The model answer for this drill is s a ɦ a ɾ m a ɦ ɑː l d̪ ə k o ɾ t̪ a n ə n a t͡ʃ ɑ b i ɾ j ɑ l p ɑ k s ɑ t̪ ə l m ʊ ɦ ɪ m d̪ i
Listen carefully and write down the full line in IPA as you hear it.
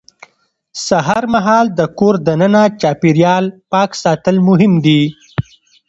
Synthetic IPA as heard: s a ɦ a ɾ m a ɦ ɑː l d̪ ə k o ɾ d̪ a n ə n a t͡ʃ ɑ p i ɾ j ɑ l p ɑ k s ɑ t̪ ə l m ʊ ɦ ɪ m d̪ i